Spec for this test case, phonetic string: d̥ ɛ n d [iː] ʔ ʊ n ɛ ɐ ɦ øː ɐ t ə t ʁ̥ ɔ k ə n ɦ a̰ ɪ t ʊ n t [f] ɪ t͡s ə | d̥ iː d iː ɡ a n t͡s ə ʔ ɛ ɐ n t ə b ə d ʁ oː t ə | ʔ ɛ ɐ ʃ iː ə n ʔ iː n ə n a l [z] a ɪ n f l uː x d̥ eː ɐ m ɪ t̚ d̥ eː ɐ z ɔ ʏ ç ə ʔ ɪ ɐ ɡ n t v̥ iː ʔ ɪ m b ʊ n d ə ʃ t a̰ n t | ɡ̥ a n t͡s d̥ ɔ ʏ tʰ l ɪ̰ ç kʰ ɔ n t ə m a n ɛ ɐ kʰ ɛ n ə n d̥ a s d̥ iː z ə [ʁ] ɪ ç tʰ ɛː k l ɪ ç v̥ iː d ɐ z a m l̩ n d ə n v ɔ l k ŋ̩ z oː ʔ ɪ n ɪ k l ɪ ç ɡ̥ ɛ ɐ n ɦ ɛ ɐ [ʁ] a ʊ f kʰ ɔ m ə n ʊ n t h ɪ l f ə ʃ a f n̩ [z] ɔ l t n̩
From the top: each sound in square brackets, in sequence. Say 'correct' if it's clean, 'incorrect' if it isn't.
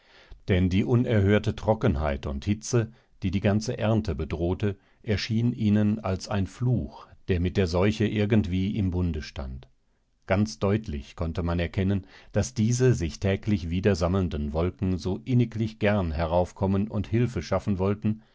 correct, incorrect: h, incorrect: s, incorrect: z, correct, incorrect: v

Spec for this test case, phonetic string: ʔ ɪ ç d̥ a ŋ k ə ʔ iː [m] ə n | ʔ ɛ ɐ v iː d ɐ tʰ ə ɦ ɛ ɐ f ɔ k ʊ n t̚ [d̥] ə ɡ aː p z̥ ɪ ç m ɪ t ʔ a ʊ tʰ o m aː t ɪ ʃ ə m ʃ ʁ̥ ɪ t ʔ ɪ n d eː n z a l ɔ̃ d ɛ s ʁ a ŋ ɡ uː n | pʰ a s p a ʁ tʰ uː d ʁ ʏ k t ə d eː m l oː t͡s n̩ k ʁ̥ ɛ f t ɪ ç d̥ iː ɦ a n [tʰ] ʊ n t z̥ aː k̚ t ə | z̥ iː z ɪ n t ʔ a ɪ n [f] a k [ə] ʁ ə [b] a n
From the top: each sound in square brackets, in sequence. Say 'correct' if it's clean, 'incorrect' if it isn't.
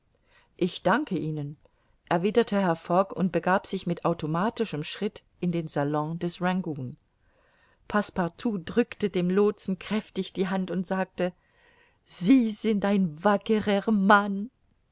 incorrect: n, incorrect: b̥, incorrect: t, incorrect: v, correct, incorrect: m

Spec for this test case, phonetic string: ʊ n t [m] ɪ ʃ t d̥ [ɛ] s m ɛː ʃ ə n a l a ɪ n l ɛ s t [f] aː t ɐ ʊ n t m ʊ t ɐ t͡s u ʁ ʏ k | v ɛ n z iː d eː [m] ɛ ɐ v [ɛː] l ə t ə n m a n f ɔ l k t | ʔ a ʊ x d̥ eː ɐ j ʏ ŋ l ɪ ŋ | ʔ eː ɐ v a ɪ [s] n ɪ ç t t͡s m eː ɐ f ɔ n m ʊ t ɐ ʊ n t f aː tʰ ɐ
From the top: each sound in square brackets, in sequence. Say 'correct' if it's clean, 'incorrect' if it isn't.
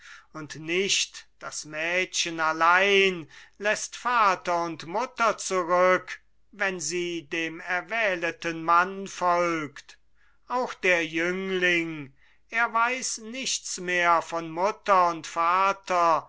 incorrect: n, incorrect: a, correct, correct, correct, correct

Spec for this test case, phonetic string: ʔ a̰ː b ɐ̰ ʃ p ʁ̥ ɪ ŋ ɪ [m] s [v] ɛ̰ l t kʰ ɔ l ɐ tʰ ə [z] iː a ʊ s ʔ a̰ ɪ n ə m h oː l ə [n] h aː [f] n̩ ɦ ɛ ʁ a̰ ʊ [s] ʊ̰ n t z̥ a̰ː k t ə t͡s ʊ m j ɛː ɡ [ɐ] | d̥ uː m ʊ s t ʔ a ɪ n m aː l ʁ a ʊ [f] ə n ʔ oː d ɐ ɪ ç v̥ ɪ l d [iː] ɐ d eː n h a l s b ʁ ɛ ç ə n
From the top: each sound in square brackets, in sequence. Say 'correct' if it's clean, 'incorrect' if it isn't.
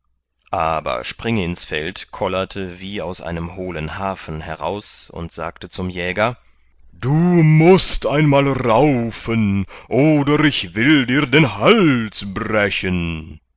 incorrect: n, incorrect: f, incorrect: v, correct, correct, correct, correct, correct, correct

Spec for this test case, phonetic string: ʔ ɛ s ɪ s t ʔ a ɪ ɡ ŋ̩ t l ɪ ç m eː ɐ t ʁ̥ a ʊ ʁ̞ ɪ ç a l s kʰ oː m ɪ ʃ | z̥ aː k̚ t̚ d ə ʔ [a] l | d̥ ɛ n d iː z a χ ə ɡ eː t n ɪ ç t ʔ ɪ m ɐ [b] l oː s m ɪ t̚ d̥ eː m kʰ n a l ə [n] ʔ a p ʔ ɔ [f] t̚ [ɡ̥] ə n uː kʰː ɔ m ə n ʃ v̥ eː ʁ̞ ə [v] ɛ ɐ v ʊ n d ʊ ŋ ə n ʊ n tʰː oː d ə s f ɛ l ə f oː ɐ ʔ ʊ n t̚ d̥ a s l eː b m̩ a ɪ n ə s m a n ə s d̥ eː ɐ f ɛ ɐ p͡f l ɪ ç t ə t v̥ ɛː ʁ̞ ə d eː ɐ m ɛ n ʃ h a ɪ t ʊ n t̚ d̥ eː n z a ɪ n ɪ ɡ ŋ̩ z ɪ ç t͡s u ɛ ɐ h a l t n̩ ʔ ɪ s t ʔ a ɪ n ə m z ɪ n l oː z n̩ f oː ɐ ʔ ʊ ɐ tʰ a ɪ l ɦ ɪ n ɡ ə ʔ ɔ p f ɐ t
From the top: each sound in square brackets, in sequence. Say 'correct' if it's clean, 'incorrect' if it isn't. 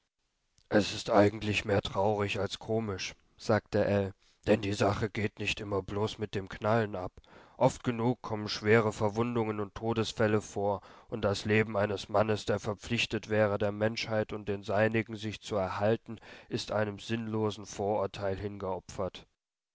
incorrect: ɛ, correct, correct, correct, correct, incorrect: f

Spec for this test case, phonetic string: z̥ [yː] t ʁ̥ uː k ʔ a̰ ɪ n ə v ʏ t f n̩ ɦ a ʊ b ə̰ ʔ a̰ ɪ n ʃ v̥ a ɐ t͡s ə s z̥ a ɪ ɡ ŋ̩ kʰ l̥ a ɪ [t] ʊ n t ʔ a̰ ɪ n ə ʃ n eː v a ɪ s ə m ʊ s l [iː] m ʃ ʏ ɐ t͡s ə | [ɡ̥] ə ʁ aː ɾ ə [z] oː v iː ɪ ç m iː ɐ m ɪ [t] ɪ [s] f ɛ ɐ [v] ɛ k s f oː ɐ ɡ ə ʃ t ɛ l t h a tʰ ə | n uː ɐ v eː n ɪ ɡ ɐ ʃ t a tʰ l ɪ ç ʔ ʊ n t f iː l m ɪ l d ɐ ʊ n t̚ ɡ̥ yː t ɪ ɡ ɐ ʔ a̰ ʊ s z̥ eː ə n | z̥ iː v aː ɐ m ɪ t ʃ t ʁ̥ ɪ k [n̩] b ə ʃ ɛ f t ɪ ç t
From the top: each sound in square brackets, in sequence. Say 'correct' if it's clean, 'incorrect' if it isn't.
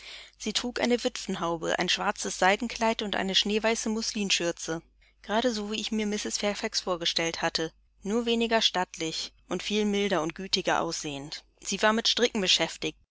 incorrect: iː, correct, correct, correct, correct, incorrect: s, correct, incorrect: f, incorrect: ŋ̩

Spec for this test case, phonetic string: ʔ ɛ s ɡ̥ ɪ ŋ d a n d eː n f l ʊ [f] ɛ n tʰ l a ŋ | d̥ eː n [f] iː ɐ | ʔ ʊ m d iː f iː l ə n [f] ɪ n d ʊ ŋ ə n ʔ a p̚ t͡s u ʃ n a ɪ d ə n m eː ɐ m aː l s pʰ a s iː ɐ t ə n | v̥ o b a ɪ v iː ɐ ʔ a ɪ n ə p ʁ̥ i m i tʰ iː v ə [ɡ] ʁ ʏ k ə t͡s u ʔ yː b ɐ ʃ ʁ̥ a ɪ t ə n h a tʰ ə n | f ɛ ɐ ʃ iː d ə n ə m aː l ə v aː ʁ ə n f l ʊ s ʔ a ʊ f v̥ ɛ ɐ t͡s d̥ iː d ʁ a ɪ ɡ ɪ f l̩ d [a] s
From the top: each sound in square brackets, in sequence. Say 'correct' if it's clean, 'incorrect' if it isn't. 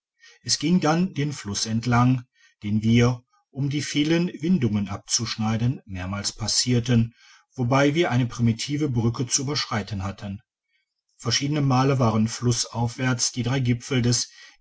incorrect: s, incorrect: v, incorrect: v, incorrect: b, incorrect: ɛ

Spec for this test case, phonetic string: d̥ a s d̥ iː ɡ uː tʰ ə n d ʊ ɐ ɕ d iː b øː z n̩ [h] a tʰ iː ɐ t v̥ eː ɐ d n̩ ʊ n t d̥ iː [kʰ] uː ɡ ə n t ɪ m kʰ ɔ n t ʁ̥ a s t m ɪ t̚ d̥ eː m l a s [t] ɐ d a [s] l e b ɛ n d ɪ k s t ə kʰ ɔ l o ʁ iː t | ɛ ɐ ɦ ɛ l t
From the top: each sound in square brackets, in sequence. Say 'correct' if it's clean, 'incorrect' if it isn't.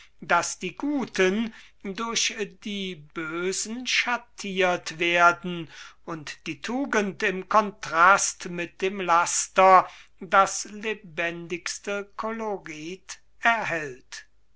incorrect: ʃ, incorrect: tʰ, correct, correct

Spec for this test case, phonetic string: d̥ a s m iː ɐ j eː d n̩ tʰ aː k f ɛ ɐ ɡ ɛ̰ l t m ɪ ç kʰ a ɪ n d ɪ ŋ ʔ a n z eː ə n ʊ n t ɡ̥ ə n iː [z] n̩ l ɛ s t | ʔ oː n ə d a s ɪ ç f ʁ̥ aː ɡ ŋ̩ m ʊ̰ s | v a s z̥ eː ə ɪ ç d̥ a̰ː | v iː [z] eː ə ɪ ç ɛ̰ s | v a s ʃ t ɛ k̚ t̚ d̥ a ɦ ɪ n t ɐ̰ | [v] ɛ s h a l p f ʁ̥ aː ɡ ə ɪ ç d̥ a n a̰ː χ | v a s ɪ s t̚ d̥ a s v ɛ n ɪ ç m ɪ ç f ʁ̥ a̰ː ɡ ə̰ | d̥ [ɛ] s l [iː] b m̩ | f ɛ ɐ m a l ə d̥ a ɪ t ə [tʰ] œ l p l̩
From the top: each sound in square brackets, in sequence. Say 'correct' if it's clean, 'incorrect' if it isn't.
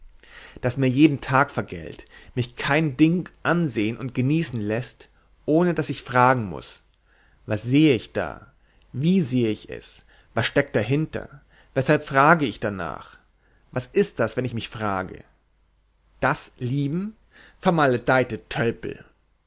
incorrect: s, correct, correct, incorrect: a, correct, correct

